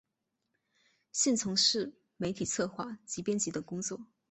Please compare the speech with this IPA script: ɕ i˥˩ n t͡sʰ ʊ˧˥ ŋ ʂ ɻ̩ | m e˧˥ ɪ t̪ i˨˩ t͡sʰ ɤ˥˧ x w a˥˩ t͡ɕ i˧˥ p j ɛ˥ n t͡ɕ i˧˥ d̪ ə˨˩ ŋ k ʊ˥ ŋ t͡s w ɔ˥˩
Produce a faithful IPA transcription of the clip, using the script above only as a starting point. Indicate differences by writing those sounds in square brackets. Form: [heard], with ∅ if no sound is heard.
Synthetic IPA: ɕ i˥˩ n t͡sʰ ʊ˧˥ ŋ ʂ ɻ̩ | m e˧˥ ɪ [t̪ʰ] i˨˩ t͡sʰ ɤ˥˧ x w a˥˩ t͡ɕ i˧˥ p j ɛ˥ n t͡ɕ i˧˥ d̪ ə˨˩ ŋ k ʊ˥ ŋ t͡s w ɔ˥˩